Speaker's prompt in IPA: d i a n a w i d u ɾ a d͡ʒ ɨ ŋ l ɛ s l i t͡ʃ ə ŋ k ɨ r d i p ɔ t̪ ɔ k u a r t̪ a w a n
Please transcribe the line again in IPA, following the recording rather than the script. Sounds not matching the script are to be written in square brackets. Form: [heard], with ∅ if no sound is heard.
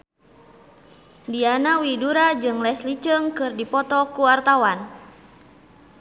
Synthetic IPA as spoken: d i a n a w i d u ɾ a d͡ʒ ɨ ŋ l ɛ s l i t͡ʃ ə ŋ k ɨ r d i p ɔ t̪ ɔ k u a r t̪ a w a n